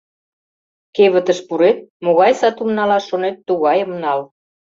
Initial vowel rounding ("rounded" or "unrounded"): unrounded